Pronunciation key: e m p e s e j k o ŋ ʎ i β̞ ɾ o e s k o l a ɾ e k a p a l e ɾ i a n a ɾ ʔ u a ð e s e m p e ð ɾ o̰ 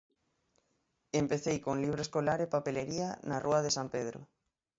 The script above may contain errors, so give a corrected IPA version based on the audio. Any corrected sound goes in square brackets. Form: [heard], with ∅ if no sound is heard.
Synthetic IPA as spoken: e m p e [θ] e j k o ŋ [l] i β̞ ɾ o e s k o l a ɾ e [p] a p [e] l e ɾ i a n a [r] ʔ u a ð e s [a] m p e ð ɾ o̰